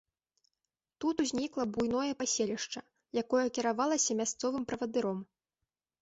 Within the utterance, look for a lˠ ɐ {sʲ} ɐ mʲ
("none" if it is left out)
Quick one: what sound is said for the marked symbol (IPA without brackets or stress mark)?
sʲ